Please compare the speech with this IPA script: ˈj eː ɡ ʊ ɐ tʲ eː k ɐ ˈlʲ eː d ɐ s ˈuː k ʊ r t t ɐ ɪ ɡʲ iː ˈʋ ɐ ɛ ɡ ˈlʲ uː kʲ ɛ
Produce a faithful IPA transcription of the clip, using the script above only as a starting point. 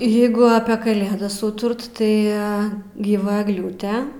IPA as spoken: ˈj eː ɡ ʊ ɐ pʲ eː k ɐ ˈlʲ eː d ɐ s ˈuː t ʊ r t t ɐ ɪ ɡʲ iː ˈʋ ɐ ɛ ɡ ˈlʲ uː tʲ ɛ